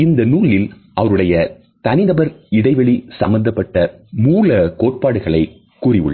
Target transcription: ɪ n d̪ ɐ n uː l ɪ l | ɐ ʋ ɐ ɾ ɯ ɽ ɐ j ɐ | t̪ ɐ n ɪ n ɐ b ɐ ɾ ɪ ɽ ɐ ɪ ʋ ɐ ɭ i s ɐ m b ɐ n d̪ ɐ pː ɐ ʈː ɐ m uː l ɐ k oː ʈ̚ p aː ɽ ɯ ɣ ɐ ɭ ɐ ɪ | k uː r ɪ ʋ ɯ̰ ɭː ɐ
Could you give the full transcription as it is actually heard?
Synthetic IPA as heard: ɪ n d̪ ɐ n uː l ɪ l | ɐ ʋ ɐ ɾ ɯ ɽ ɐ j ɐ | t̪ ɐ n ɪ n ɐ b ɐ ɾ ɪ ɽ ɐ ɪ ʋ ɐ ɭ i s ɐ m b ɐ n d̪ ɐ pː ɐ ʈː ɐ m uː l ɐ k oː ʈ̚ p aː ɽ ɯ ɣ ɐ ɭ ɐ ɪ | k uː r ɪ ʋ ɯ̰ ɭː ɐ